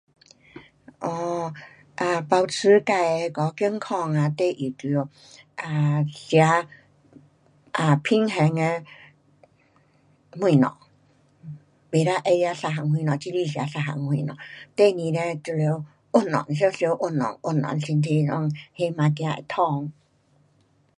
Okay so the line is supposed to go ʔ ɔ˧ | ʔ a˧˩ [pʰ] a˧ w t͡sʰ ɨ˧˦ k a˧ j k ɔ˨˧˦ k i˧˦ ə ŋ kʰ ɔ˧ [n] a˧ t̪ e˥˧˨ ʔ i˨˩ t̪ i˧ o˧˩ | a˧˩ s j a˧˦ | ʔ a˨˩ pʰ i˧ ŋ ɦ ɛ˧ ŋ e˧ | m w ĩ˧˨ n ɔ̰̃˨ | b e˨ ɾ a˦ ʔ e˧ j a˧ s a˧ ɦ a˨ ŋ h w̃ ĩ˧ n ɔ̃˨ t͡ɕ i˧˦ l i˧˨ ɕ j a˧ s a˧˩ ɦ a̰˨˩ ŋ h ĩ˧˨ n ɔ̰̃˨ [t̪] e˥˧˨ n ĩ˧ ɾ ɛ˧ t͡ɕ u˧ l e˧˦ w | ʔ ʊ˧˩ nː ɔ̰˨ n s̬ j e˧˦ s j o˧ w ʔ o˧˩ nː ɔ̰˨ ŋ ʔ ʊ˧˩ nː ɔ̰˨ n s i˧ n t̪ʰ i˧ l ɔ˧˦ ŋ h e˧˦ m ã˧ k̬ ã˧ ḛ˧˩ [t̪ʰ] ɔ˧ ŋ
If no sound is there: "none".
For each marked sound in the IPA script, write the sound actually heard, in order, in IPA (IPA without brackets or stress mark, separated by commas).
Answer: p, ŋ, t̪, t̪ʰ